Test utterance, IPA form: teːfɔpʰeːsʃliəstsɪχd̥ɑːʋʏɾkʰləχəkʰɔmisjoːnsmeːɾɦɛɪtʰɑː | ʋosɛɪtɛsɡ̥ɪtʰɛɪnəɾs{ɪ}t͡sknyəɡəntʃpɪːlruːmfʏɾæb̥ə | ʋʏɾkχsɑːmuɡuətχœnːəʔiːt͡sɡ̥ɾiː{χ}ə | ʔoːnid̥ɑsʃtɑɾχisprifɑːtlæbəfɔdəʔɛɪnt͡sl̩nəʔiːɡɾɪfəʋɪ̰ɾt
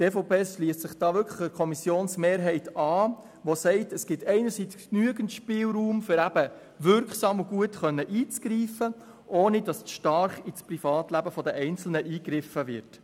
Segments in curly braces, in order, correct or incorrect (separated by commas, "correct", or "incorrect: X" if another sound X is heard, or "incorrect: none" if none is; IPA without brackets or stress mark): incorrect: i, incorrect: f